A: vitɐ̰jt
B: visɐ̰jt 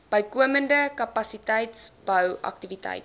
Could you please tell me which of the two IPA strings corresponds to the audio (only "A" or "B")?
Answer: A